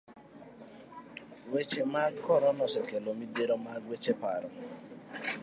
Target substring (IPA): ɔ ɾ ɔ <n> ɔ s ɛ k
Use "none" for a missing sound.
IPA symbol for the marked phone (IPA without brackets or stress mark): n